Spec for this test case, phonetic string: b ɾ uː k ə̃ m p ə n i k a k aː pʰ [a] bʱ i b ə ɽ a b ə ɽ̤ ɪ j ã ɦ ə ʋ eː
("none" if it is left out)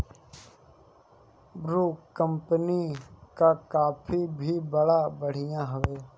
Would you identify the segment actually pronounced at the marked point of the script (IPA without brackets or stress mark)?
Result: i